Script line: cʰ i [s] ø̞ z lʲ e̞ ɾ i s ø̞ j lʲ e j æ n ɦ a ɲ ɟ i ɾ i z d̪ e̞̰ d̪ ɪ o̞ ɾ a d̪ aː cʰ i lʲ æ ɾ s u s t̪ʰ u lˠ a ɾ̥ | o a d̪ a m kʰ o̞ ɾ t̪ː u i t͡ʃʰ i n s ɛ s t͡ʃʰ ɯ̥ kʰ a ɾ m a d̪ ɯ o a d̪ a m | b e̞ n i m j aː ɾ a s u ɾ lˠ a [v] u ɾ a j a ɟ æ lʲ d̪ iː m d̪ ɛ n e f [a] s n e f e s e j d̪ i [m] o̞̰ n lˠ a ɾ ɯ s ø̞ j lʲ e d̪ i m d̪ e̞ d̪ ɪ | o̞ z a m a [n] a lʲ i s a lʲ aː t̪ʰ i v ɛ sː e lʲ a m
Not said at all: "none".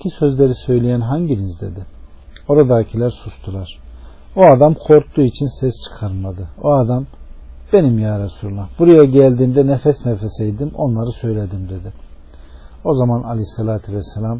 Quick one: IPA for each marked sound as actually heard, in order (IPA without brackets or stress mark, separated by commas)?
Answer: s, b, ɛ, m, n